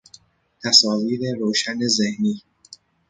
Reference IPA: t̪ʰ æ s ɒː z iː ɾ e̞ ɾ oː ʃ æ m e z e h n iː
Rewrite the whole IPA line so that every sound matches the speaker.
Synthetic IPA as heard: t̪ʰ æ s ɒː v iː ɾ e̞ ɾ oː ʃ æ n e z e h n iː